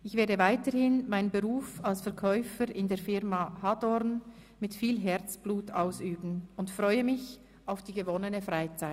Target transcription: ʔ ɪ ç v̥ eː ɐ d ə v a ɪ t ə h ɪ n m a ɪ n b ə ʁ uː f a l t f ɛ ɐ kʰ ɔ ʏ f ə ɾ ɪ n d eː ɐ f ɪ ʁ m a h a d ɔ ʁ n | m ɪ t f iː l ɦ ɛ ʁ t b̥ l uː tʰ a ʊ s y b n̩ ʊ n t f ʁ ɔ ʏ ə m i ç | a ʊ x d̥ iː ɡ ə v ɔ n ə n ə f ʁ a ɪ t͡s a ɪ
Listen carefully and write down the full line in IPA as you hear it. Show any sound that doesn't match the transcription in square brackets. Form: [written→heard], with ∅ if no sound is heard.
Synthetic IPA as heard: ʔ ɪ ç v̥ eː ɐ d ə v a ɪ t ə h ɪ n m a ɪ n b ə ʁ uː f a l [t→s] f ɛ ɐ kʰ ɔ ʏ f ə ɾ ɪ n d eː ɐ f ɪ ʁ m a h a d ɔ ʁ n | m ɪ t f iː l ɦ ɛ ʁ [t→t͡s] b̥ l uː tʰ a ʊ s [y→yː] b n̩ ʊ n t f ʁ ɔ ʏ ə m [i→ɪ] ç | a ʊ [x→f] d̥ iː ɡ ə v ɔ n ə n ə f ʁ a ɪ t͡s a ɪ